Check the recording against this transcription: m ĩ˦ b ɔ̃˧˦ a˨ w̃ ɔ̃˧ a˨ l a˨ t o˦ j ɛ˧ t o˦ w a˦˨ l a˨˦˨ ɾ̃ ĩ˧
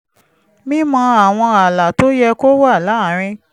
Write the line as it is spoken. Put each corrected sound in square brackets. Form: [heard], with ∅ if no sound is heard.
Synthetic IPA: m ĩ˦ [m] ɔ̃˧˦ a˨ w̃ ɔ̃˧ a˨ l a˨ t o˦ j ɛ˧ [k] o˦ w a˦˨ l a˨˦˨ ɾ̃ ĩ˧